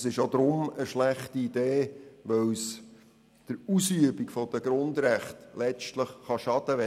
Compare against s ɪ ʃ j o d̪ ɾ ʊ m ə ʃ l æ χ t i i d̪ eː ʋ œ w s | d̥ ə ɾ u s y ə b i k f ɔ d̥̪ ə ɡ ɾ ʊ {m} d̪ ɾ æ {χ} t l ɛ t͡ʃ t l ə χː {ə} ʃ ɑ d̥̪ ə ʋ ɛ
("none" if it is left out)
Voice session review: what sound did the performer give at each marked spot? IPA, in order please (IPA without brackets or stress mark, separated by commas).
n, χ, ɑ